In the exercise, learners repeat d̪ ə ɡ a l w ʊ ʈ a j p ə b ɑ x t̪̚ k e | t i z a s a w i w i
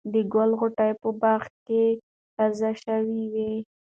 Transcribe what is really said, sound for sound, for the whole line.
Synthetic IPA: d̪ ə ɡ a l ɣ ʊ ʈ a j p ə b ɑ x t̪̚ k e | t a z a ʃ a w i w i